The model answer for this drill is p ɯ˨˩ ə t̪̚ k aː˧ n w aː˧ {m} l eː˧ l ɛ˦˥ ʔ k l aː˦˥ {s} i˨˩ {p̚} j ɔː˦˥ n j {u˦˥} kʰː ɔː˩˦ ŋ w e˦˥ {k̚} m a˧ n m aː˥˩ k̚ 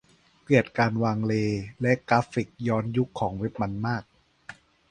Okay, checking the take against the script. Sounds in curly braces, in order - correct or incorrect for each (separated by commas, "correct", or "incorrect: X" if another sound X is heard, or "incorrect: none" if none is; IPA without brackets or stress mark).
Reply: incorrect: ŋ, incorrect: f, incorrect: k̚, correct, incorrect: p̚